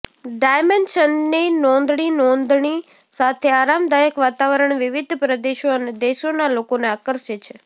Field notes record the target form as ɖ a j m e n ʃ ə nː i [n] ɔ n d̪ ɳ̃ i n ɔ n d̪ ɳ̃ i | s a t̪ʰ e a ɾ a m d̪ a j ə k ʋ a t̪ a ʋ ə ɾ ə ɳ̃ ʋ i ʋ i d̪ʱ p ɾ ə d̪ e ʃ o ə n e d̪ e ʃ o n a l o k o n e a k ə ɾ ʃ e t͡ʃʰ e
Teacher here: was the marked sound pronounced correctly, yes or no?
yes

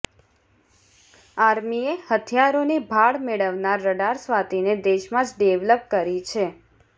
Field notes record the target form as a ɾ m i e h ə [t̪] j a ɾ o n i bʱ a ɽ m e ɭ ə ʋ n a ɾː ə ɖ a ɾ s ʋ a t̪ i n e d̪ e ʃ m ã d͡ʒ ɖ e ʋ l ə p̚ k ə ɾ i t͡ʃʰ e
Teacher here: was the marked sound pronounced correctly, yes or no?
no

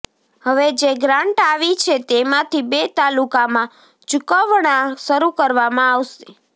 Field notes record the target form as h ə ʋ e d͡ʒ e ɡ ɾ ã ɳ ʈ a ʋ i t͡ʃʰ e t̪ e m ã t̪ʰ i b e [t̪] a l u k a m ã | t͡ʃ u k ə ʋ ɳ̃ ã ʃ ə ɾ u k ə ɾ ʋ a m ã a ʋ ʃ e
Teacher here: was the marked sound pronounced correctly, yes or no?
yes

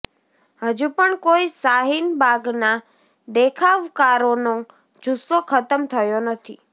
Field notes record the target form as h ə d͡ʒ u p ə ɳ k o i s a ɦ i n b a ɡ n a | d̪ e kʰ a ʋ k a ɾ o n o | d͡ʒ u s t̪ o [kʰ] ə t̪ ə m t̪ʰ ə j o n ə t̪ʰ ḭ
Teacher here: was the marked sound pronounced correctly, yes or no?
yes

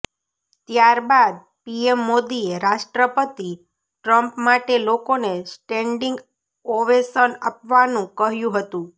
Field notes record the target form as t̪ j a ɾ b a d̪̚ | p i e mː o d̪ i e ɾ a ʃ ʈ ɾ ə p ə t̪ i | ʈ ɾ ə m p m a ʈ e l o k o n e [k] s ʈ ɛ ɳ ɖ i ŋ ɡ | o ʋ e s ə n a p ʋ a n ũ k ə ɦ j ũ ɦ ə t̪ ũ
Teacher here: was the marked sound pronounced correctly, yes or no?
no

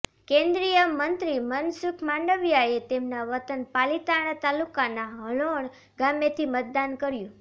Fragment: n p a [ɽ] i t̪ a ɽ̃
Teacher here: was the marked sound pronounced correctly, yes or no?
no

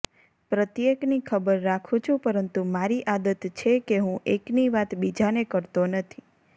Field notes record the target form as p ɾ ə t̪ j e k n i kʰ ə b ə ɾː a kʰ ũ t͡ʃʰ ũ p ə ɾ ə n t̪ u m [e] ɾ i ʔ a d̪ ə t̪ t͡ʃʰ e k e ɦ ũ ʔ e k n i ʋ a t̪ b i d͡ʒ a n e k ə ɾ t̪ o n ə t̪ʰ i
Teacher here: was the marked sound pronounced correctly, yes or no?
no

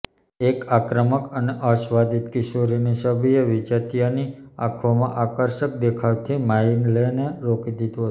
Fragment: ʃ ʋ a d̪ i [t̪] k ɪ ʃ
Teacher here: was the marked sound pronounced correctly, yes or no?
yes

